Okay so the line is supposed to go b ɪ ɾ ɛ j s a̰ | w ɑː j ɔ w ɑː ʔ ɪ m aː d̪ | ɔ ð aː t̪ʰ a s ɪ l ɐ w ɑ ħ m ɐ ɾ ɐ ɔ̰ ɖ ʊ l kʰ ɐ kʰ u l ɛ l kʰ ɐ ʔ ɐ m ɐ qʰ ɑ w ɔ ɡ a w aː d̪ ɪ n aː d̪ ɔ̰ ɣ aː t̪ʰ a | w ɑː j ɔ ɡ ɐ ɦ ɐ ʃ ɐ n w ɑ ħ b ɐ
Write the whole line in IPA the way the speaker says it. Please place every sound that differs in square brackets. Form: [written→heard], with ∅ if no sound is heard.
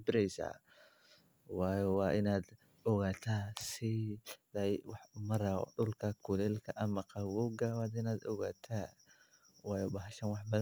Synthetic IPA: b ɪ ɾ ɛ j s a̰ | w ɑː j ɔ w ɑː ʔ ɪ [m→n] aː d̪ | ɔ [ð→ɣ] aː t̪ʰ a s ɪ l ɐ w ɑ ħ m ɐ ɾ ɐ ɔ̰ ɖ ʊ l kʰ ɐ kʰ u l ɛ l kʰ ɐ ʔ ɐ m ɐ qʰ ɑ w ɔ ɡ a w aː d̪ ɪ n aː d̪ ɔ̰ ɣ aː t̪ʰ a | w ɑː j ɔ [ɡ→b] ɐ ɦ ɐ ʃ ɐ n w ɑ ħ b ɐ